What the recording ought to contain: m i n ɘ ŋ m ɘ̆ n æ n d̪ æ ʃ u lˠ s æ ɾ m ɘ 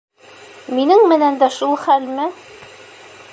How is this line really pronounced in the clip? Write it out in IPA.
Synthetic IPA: m i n ɘ ŋ m ɘ̆ n æ n d̪ æ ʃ u lˠ χ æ l m ɘ